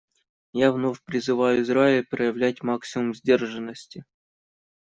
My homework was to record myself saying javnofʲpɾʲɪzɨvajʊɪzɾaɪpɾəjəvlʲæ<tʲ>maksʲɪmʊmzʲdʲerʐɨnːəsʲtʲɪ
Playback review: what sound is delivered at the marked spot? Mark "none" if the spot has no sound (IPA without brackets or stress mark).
tʲ